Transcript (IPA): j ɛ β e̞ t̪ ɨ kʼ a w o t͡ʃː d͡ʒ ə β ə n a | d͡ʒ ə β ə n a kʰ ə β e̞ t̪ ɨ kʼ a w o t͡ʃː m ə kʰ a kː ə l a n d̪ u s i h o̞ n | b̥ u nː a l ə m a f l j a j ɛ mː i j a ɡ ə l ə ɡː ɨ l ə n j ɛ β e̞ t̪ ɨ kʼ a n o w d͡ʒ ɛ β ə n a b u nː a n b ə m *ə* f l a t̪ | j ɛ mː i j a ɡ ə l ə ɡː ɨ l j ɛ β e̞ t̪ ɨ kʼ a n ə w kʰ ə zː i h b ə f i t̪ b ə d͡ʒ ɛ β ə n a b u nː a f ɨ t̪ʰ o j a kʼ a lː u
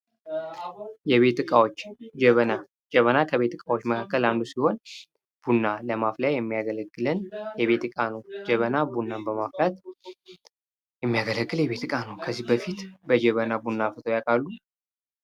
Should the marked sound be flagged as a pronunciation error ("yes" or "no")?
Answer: yes